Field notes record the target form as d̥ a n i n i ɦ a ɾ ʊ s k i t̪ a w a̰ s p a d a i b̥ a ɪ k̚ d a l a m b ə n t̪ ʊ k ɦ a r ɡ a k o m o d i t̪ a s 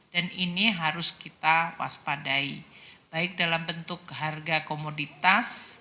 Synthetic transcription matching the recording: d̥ a n i n i ɦ a ɾ ʊ s k i t̪ a w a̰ s p a d a i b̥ a ɪ k̚ d a l a m b ə n t̪ ʊ k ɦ a r ɡ a k o m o d i t̪ a s